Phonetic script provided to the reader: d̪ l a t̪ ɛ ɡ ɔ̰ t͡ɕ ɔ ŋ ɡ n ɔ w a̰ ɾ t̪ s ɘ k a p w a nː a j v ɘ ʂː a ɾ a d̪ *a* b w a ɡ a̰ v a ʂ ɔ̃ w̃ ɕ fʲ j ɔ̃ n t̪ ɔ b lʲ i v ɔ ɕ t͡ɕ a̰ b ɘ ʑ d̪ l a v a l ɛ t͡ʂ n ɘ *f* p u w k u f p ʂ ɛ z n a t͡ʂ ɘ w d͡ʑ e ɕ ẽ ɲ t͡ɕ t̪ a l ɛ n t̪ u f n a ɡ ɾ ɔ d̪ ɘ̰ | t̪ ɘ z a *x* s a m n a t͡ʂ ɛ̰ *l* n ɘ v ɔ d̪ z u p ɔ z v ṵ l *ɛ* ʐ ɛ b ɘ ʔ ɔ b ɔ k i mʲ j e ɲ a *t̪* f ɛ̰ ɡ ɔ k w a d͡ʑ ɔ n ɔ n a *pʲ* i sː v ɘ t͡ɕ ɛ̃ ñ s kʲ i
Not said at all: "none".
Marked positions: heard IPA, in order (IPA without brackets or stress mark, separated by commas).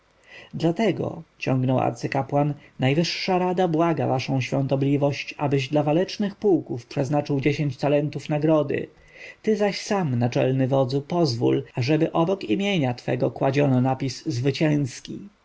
a, x, ɕ, l, a, t̪, pʲ